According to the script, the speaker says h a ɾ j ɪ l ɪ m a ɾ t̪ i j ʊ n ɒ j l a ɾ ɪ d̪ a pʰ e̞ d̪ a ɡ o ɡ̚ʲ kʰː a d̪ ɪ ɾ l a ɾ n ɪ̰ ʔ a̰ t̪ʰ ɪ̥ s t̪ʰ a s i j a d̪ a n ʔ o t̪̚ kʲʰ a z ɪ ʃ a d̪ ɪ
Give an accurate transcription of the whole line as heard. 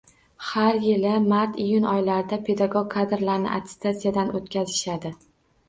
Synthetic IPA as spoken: h a ɾ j ɪ l ɪ m a ɾ t̪ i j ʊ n ɒ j l a ɾ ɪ d̪ a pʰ e̞ d̪ a ɡ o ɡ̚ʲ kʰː a d̪ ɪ ɾ l a ɾ n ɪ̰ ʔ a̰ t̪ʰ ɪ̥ s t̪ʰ a s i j a d̪ a n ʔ o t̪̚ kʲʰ a z ɪ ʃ a d̪ ɪ

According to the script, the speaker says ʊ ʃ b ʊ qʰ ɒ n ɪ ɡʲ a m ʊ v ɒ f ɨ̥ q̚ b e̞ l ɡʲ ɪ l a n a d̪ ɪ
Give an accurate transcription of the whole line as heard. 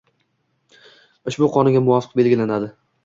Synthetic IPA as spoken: ʊ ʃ b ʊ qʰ ɒ n ɪ ɡʲ a m ʊ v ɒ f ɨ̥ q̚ b e̞ l ɡʲ ɪ l a n a d̪ ɪ

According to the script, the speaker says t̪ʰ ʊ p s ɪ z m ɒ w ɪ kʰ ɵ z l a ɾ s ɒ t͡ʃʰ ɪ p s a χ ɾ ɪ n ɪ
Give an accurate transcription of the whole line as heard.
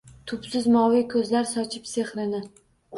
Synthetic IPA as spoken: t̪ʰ ʊ p s ɪ z m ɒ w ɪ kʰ ɵ z l a ɾ s ɒ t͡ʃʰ ɪ p s e χ ɾ ɪ n ɪ

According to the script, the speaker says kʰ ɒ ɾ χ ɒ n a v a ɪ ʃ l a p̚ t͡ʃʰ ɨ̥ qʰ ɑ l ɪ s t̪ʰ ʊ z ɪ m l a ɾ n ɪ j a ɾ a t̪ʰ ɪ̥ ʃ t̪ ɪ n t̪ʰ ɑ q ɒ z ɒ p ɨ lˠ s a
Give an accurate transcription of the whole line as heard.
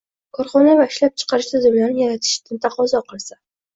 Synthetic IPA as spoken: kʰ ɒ ɾ χ ɒ n a v a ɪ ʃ l a p̚ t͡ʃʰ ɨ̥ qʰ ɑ ɾ ɪ ʃ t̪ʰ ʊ z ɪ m l a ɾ n ɪ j a ɾ a t̪ʰ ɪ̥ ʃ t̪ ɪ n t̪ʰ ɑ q ɒ z ɒ q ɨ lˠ s a

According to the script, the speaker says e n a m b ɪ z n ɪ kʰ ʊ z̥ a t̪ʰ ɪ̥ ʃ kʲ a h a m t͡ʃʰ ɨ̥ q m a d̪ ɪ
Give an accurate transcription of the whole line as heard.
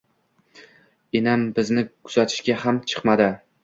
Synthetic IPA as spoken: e n a m b ɪ z n ɪ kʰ ʊ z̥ a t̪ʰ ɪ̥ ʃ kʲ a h a m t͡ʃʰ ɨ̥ q m a d̪ ɪ

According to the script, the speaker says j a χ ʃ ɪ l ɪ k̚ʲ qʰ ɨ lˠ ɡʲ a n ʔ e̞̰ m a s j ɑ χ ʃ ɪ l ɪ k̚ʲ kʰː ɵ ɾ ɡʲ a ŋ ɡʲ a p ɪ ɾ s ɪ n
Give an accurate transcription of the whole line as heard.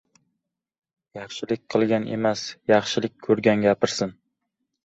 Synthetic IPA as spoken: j ɑ χ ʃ ɪ l ɪ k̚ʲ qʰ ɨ lˠ ɡʲ a n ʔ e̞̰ m a s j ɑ χ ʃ ɪ l ɪ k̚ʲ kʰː ɵ ɾ ɡʲ a n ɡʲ a p ɪ ɾ s ɪ n

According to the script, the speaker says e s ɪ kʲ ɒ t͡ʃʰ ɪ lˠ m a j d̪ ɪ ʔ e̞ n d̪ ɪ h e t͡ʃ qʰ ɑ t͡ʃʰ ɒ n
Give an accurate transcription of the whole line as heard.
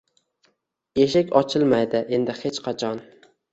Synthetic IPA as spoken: e ʃ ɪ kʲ ɒ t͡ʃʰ ɪ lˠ m a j d̪ ɪ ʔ e̞ n d̪ ɪ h e t͡ʃ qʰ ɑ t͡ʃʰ ɒ n

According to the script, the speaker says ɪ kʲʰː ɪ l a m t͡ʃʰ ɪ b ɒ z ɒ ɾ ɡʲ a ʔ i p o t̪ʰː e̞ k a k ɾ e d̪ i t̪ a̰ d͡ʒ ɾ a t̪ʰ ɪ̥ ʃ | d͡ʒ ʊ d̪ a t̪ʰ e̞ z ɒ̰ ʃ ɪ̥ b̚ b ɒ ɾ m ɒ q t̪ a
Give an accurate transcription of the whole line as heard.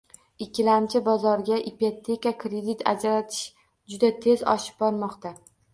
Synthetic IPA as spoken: ɪ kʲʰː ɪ l a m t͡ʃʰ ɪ b ɒ z ɒ ɾ ɡʲ a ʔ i p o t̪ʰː e̞ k a k ɾ e d̪ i t̪ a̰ d͡ʒ ɾ a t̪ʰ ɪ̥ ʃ | d͡ʒ ʊ d̪ a t̪ʰ e̞ z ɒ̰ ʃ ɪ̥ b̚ b ɒ ɾ m ɒ q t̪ a

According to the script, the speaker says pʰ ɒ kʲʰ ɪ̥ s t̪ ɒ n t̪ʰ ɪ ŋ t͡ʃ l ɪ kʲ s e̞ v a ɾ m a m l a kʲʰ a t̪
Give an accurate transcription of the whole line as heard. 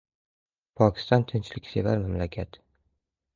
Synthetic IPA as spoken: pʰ ɒ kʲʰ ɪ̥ s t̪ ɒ n t̪ʰ ɪ n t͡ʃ l ɪ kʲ s e̞ v a ɾ m a m l a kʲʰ a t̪

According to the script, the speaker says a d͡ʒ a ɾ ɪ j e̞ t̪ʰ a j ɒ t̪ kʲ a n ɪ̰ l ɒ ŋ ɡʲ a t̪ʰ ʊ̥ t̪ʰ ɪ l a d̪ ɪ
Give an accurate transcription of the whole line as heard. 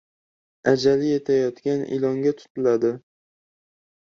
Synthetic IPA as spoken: a d͡ʒ a l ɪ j e̞ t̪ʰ a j ɒ t̪ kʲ a n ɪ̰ l ɒ ŋ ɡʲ a t̪ʰ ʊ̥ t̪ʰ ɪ l a d̪ ɪ

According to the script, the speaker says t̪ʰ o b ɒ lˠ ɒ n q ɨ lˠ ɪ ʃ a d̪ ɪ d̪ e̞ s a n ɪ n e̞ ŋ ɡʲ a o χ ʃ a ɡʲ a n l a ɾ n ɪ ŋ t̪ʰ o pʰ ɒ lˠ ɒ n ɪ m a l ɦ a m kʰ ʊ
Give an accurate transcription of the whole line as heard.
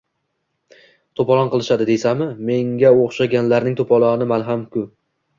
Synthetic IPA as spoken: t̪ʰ o p ɒ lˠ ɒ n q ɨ lˠ ɪ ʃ a d̪ ɪ d̪ e̞ s a m ɪ m e̞ ŋ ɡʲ a o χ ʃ a ɡʲ a n l a ɾ n ɪ ŋ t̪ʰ o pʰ ɒ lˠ ɒ n ɪ m a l ɦ a m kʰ ʊ

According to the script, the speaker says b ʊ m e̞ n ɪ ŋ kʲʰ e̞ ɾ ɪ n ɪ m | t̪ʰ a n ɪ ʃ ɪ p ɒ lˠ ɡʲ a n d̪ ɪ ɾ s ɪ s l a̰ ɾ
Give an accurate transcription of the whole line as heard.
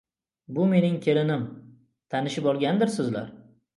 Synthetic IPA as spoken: b ʊ m e̞ n ɪ ŋ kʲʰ e̞ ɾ ɪ n ɪ m | t̪ʰ a n ɪ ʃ ɪ p ɒ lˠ ɡʲ a n d̪ ɪ ɾ s ɪ z l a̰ ɾ

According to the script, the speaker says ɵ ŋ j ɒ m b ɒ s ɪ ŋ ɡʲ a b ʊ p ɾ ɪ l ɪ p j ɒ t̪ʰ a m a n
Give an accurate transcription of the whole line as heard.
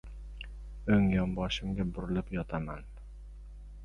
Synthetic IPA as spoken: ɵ ŋ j ɒ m b ɒ ʃ ɪ m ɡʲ a b ʊ ɾ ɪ l ɪ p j ɒ t̪ʰ a m a n

